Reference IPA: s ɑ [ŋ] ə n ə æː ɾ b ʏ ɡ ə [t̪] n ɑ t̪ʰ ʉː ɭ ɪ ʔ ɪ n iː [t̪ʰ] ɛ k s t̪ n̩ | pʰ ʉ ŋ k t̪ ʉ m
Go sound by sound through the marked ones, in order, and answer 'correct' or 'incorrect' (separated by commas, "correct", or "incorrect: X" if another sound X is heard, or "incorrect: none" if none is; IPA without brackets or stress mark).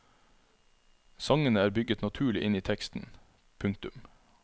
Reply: correct, correct, correct